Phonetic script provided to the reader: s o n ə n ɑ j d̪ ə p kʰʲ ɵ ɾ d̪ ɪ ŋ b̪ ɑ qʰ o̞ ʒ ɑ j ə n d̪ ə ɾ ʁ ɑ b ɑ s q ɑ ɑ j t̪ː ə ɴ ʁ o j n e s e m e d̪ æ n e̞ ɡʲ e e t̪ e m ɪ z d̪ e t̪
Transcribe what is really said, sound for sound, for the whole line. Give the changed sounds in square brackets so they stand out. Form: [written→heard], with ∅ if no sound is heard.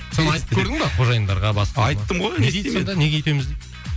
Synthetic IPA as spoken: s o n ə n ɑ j [d̪→t̪] ə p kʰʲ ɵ ɾ d̪ ɪ ŋ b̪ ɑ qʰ o̞ ʒ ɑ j ə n d̪ [ə→ɑ] ɾ ʁ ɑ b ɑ s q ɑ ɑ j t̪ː ə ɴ ʁ o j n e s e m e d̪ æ n e̞ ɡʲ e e t̪ e m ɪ z d̪ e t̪